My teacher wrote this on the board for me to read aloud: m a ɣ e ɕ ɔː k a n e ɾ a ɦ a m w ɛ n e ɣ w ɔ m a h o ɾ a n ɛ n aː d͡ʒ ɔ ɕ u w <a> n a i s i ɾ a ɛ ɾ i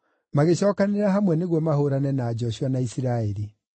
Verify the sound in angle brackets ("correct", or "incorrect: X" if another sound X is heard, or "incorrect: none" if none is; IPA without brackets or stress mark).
correct